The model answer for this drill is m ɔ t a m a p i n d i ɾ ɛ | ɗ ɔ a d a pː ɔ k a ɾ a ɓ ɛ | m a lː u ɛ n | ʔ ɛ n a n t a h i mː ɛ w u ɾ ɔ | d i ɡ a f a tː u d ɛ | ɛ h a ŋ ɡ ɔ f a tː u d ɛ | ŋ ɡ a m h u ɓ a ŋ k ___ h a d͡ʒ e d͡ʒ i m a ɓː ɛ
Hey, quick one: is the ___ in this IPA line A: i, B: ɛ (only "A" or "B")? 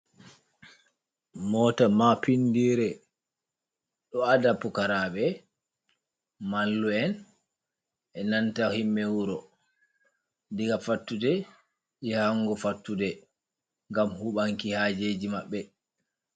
A